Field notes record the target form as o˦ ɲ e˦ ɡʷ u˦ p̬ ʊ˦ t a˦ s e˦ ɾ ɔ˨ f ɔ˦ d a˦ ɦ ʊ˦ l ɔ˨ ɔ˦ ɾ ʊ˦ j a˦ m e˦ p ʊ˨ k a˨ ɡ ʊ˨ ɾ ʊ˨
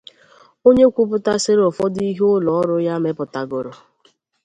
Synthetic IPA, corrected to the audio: o˦ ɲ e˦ kʷ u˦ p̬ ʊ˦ t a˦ s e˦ ɾ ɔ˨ f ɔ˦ d i˦ ɦ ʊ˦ l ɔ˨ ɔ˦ ɾ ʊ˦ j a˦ m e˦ p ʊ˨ t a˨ ɡ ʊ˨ ɾ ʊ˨